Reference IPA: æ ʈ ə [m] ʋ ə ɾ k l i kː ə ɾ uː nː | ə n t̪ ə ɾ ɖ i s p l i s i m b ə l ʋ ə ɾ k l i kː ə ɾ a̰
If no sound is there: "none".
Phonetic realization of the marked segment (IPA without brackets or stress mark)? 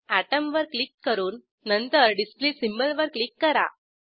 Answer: m